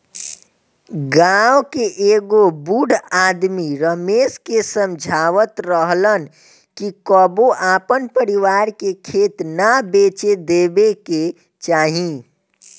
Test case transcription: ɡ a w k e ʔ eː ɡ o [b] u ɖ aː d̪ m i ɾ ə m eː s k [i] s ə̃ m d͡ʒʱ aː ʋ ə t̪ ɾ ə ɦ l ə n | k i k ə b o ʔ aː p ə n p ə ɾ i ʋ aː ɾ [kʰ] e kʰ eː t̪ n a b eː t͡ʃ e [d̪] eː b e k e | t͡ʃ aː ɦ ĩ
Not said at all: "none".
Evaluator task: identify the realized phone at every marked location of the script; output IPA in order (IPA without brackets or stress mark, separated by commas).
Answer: b, e, k, d̪